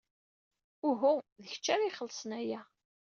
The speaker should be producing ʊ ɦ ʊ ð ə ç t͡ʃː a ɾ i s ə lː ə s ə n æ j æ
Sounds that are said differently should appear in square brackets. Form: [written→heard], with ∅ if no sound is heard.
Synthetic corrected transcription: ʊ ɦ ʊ ð ə ç t͡ʃː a ɾ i [s→χ] ə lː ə s ə n æ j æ